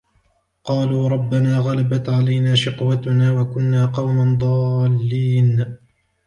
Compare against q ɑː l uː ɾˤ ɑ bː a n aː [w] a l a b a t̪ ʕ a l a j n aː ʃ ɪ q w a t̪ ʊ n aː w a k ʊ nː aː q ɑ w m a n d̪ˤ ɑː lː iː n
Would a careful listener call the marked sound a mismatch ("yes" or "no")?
yes